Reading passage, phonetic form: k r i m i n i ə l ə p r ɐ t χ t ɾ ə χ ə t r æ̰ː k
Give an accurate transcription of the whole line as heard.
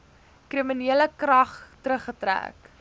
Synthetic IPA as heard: k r i m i n i ə l ə k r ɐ χ t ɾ ə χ ə t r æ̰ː k